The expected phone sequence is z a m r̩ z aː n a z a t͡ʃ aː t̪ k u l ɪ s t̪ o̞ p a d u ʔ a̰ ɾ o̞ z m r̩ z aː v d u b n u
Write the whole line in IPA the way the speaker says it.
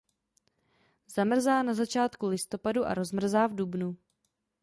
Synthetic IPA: z a m r̩ z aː n a z a t͡ʃ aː t̪ k u l ɪ s t̪ o̞ p a d u ʔ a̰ ɾ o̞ z m r̩ z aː v d u b n u